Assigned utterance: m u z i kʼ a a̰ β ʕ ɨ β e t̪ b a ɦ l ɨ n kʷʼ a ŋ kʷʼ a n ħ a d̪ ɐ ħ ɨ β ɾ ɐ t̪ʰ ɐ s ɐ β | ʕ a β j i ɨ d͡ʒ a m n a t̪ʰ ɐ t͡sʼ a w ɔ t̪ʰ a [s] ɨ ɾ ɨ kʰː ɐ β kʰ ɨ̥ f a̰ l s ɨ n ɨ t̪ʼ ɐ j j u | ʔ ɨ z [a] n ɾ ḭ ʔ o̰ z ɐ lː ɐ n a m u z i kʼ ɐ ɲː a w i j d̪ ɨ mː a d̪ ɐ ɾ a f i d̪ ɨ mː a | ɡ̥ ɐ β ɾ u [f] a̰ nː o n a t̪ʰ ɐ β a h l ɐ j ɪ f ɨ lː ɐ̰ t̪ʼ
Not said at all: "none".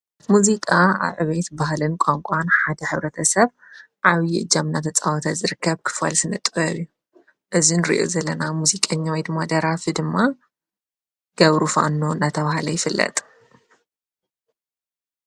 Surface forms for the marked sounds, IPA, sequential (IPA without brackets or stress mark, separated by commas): z, i, f